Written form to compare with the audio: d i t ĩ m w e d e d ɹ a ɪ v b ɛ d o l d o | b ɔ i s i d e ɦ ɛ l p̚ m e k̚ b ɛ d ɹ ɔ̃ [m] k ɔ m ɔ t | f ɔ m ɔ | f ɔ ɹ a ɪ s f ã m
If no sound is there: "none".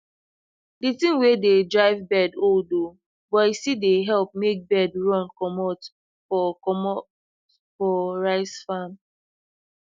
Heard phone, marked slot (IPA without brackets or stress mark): n